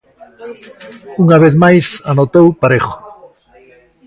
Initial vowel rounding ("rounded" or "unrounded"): rounded